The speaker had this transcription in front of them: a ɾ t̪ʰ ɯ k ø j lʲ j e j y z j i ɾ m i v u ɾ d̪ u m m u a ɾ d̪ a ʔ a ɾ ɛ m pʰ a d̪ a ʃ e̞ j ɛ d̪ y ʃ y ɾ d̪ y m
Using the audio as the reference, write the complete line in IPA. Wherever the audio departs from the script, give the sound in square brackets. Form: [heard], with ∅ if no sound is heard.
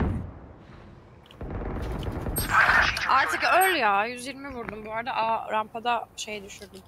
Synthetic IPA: a ɾ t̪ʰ ɯ k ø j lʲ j [a] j y z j i ɾ m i v u ɾ d̪ u m [b] u a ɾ d̪ a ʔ a ɾ [a] m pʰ a d̪ a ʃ e̞ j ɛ d̪ y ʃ y ɾ d̪ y m

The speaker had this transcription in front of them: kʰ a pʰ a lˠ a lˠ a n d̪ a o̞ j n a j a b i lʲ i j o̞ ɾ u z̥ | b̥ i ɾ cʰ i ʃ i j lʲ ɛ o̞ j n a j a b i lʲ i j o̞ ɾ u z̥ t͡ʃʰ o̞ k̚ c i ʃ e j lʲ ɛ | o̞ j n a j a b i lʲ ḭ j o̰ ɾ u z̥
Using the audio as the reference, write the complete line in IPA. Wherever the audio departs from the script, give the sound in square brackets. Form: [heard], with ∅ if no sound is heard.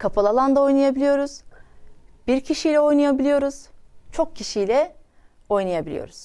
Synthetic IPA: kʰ a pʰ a lˠ a lˠ a n d̪ a o̞ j n a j a b i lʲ i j o̞ ɾ u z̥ | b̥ i ɾ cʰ i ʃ i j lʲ ɛ o̞ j n a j a b i lʲ i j o̞ ɾ u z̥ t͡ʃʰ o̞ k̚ c i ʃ [i] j lʲ ɛ | o̞ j n a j a b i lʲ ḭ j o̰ ɾ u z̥

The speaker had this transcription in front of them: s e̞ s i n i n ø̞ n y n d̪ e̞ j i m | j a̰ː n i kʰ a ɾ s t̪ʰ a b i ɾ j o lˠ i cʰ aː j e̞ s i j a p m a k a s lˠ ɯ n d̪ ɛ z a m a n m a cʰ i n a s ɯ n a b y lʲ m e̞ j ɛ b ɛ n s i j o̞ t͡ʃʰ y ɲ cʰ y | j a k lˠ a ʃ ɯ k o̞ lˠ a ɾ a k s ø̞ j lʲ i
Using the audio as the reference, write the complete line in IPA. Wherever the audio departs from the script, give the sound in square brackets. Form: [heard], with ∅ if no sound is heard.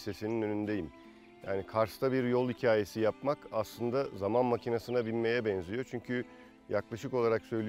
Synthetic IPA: s e̞ s i n i n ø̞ n y n d̪ e̞ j i m | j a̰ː n i kʰ a ɾ s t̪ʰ a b i ɾ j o lˠ i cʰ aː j e̞ s i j a p m a k a s lˠ ɯ n d̪ [a] z a m a n m a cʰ i n a s ɯ n a b [i] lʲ m e̞ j ɛ b ɛ n [z] i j o̞ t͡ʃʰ y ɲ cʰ y | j a k lˠ a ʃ ɯ k o̞ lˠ a ɾ a k s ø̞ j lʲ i

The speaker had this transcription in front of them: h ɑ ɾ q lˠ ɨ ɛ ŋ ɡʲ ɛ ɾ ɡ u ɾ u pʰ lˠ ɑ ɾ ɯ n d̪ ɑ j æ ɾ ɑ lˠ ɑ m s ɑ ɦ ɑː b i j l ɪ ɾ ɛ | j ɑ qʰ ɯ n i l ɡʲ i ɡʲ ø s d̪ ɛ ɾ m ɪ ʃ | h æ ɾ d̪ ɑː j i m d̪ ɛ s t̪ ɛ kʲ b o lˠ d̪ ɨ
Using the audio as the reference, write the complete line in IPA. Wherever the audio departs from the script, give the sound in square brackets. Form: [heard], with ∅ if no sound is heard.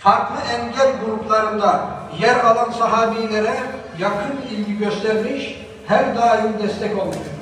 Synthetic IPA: [f] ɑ ɾ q lˠ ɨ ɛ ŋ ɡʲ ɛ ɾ ɡ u ɾ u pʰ lˠ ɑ ɾ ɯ n d̪ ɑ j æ ɾ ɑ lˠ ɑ [n] s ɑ ɦ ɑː b i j l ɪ ɾ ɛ | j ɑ qʰ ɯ n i l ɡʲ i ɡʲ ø s [t̪] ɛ ɾ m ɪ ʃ | h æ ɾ d̪ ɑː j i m d̪ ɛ s t̪ ɛ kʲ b o lˠ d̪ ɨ

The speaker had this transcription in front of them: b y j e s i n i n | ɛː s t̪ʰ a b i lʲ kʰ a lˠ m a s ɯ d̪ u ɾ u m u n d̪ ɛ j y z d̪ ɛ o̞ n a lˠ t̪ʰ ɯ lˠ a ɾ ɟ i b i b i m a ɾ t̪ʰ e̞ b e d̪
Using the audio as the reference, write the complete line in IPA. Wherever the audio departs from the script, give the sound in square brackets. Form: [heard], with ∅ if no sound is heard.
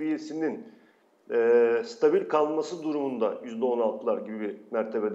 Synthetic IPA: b [i] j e s i n i n | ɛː s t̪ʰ a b i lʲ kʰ a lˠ m a s ɯ d̪ u ɾ u m u n d̪ [a] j y z d̪ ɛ o̞ n a lˠ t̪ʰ ɯ lˠ a ɾ ɟ i b i b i m [æ] ɾ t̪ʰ e̞ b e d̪

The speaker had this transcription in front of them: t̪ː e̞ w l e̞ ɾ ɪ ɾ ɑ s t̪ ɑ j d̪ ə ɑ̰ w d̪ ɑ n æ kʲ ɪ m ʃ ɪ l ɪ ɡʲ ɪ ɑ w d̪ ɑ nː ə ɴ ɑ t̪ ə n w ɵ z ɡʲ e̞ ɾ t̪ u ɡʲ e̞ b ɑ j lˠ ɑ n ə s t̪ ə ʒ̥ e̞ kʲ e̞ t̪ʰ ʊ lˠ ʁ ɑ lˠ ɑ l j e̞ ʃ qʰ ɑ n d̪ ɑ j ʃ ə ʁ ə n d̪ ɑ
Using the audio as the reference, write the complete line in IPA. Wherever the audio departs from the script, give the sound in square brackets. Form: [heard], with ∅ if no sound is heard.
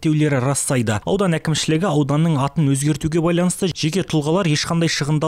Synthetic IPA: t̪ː e̞ w l e̞ ɾ ɪ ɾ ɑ s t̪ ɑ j d̪ ə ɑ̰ w d̪ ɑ n æ kʲ ɪ m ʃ ɪ l ɪ ɡʲ ɪ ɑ w d̪ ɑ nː ə ɴ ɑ t̪ ə n w ɵ z ɡʲ e̞ ɾ t̪ u ɡʲ e̞ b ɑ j lˠ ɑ n ə s t̪ ə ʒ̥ e̞ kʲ e̞ t̪ʰ ʊ lˠ ʁ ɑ lˠ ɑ [ɾ] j e̞ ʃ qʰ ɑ n d̪ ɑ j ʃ ə ʁ ə n d̪ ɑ

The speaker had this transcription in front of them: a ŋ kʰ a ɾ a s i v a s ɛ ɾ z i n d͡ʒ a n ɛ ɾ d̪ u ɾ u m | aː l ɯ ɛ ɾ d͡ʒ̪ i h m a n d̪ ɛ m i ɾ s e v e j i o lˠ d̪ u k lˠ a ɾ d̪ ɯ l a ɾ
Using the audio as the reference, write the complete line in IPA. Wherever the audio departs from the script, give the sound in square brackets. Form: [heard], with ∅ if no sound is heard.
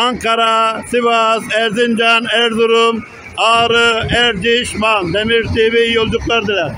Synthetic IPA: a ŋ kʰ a ɾ a s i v a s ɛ ɾ z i n d͡ʒ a n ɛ ɾ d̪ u ɾ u m | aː [ɾ] ɯ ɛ ɾ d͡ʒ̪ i [ʃ] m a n d̪ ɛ m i ɾ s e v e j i o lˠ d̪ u k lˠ a ɾ d̪ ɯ l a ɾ

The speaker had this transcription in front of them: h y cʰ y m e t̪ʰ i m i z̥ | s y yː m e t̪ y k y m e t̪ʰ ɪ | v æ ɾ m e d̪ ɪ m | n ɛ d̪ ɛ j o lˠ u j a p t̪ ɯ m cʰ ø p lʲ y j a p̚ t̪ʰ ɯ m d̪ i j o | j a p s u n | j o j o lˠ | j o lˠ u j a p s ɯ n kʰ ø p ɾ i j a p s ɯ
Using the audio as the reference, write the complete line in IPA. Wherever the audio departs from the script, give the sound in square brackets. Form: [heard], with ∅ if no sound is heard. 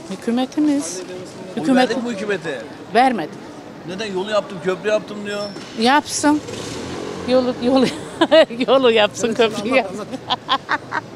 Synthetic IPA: h y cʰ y m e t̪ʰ i m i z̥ | [h] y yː m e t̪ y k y m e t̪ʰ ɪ | v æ ɾ m e d̪ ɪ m | n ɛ d̪ ɛ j o lˠ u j a p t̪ ɯ m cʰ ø p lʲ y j a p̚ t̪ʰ ɯ m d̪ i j o | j a p s [ɯ] n | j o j o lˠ | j o lˠ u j a p s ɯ n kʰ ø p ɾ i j a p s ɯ

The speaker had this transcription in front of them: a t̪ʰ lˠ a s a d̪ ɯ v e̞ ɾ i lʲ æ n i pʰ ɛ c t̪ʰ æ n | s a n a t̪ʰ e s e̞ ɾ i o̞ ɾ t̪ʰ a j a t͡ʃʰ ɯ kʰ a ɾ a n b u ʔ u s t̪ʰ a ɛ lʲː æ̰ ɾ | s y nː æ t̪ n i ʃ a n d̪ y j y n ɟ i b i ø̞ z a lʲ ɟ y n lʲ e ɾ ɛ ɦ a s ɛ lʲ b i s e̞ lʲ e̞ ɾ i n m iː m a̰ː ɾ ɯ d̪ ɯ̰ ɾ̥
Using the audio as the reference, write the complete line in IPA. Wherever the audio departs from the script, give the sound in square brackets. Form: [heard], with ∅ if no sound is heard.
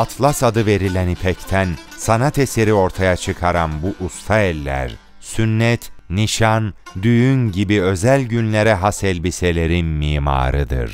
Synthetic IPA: a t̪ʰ lˠ a s a d̪ ɯ v e̞ ɾ i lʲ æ n i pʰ ɛ c t̪ʰ æ n | s a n a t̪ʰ e s e̞ ɾ i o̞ ɾ t̪ʰ a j a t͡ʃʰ ɯ kʰ a ɾ a n b u ʔ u s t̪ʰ a ɛ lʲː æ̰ ɾ | s y nː [ɛ] t̪ n i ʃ a n d̪ y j y n ɟ i b i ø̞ z [æ] lʲ ɟ y n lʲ e ɾ ɛ ɦ a s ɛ lʲ b i s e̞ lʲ e̞ ɾ i n m iː m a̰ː ɾ ɯ d̪ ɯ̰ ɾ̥

